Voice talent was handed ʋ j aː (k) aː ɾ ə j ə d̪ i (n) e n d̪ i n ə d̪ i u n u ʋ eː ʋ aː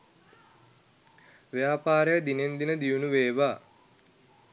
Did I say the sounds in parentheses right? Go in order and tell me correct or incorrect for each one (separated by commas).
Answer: incorrect, correct